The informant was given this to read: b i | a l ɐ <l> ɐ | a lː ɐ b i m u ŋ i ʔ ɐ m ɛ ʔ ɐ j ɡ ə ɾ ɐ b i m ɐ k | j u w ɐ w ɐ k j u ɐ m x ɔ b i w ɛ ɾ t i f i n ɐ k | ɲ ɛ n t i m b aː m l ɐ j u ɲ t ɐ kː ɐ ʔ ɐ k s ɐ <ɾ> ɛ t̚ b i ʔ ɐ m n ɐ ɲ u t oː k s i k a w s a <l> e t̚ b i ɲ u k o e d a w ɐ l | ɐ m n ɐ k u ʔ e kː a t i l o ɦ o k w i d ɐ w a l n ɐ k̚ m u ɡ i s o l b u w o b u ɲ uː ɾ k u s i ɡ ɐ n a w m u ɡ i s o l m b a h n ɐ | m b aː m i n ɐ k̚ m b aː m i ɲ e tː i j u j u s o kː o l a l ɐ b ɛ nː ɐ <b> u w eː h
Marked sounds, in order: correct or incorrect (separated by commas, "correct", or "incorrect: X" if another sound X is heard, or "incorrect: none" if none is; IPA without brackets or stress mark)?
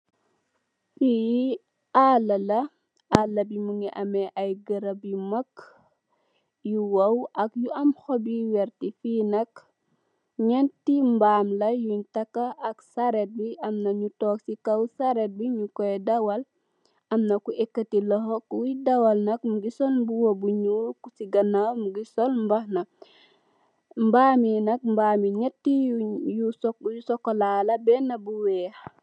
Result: correct, correct, incorrect: ɾ, correct